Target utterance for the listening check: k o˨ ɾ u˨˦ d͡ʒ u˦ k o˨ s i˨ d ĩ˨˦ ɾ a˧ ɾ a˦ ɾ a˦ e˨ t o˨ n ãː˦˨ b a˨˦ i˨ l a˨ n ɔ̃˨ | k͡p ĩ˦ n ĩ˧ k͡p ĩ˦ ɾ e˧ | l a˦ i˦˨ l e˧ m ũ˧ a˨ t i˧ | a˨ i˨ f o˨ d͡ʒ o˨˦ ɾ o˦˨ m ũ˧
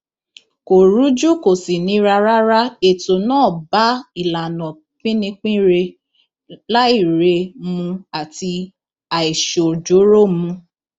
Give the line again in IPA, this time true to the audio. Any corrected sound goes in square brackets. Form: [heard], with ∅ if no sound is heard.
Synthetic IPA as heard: k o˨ ɾ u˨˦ d͡ʒ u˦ k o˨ s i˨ [n] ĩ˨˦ ɾ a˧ ɾ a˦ ɾ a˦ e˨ t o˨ n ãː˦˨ b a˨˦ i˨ l a˨ n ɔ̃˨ | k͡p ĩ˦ n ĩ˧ k͡p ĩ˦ ɾ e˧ | l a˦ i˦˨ [ɾ] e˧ m ũ˧ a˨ t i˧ | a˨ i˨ [ʃ] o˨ d͡ʒ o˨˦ ɾ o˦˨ m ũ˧